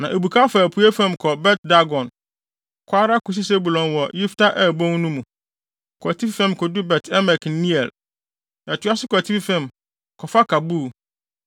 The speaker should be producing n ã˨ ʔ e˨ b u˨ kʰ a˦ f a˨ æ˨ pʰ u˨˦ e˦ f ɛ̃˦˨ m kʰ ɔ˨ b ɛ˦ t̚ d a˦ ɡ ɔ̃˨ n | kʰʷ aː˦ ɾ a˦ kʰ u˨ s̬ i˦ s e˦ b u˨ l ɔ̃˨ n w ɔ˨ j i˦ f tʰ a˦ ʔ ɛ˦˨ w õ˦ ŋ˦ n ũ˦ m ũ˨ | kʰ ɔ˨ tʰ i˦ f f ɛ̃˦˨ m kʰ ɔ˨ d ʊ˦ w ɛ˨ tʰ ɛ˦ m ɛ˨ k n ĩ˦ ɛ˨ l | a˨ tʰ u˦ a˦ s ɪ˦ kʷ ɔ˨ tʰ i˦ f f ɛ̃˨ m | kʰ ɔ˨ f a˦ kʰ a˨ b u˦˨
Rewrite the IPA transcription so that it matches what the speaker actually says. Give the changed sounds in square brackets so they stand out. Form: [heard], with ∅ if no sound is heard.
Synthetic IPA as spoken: n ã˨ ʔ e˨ b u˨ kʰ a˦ f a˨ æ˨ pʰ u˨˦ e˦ f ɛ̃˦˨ m kʰ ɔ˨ b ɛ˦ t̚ d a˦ ɡ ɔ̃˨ n | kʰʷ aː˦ ɾ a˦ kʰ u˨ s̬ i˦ s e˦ b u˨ l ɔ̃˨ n w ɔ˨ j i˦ f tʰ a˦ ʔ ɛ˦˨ [b] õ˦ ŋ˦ n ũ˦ m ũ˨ | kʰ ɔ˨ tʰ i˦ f f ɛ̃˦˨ m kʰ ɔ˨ d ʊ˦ [b] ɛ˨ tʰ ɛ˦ m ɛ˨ k n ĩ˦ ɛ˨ l | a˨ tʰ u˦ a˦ s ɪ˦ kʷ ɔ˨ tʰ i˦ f f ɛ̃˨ m | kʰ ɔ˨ f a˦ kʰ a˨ b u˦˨